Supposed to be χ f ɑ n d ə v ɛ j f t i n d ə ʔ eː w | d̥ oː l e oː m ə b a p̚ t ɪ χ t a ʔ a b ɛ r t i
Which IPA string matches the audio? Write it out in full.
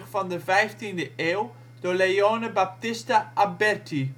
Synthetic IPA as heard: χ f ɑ n d ə v ɛ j f t i n d ə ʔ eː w | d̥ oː l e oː n ə b a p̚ t ɪ s t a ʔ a b ɛ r t i